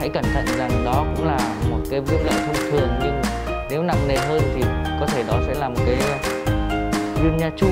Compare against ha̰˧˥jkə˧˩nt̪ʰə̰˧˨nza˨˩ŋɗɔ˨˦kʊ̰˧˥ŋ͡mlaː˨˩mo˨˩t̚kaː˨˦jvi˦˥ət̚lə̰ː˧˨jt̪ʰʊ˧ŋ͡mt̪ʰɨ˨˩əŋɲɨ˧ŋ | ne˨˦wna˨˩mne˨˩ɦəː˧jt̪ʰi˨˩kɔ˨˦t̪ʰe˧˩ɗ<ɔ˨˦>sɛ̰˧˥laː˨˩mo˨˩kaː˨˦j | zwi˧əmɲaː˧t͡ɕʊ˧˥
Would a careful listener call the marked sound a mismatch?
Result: no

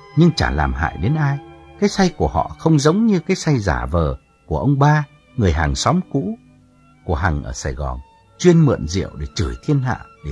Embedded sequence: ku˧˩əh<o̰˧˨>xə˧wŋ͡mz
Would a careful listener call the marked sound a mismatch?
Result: yes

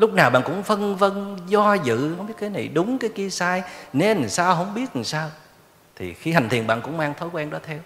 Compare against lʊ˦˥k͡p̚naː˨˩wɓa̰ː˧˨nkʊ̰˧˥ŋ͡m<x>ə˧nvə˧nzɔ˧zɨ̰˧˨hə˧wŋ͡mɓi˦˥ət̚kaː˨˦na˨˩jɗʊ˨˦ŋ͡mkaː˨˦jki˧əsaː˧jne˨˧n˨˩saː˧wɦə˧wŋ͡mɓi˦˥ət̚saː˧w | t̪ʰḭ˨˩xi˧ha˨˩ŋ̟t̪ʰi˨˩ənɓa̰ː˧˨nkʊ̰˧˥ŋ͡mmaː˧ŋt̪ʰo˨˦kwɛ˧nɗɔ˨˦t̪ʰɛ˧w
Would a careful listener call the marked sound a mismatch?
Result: yes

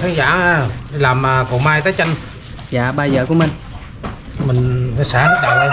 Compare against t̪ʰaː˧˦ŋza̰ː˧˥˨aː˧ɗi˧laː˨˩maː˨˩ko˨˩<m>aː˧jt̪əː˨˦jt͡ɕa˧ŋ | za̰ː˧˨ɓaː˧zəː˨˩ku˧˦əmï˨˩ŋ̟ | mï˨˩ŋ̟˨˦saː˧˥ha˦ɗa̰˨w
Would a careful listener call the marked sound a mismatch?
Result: no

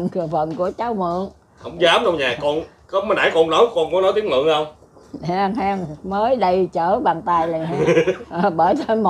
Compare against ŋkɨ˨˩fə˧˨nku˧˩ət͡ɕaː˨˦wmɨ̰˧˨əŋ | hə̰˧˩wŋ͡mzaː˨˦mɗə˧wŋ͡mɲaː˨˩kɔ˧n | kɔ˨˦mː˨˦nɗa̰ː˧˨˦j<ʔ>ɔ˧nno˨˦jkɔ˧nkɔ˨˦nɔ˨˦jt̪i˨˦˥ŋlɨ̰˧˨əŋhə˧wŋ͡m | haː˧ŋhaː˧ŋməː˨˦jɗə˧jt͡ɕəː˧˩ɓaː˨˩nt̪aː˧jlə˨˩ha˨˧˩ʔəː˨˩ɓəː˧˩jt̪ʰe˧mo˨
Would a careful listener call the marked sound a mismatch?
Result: yes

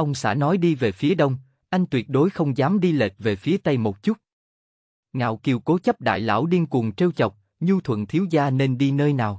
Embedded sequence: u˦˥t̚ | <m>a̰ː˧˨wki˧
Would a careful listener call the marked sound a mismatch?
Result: yes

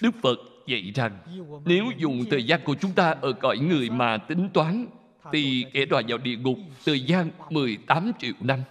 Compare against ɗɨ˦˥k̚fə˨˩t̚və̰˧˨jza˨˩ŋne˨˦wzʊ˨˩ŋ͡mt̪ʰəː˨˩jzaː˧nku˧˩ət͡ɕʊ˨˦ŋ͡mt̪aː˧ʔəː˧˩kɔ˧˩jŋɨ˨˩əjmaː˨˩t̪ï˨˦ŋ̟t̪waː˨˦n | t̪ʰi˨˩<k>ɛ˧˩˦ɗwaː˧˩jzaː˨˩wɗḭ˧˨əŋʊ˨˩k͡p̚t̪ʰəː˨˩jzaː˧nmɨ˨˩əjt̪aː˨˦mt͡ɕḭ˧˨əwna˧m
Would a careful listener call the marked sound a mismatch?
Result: no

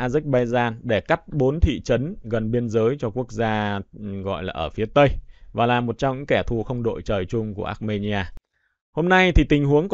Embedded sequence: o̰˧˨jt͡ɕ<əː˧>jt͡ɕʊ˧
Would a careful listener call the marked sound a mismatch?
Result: yes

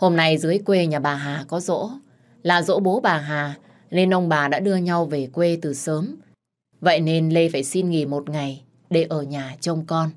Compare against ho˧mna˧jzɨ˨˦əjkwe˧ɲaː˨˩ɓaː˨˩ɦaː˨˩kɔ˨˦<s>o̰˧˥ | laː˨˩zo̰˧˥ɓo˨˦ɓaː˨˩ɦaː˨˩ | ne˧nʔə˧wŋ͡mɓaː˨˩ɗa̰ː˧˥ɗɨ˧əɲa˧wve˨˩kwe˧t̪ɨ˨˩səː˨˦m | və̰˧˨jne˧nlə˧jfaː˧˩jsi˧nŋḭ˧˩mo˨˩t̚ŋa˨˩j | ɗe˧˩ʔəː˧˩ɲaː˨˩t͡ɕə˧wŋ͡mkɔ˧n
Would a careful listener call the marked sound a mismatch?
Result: yes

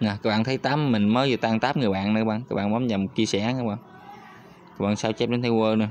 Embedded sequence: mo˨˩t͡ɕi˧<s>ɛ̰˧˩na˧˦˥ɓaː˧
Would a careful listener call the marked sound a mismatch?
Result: no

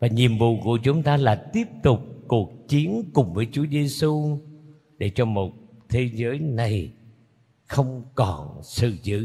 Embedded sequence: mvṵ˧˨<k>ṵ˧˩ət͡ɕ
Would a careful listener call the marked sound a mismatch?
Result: no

